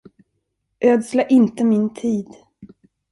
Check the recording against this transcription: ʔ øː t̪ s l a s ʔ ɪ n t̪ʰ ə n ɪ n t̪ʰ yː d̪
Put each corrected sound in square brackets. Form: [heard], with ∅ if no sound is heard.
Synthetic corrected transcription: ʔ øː [d̪] s l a [∅] ʔ ɪ n [t̪] ə [m] ɪ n t̪ʰ [iː] d̪